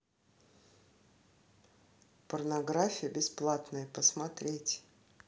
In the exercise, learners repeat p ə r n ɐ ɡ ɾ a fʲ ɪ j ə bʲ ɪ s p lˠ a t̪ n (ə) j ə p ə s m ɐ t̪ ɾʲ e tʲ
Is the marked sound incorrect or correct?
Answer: correct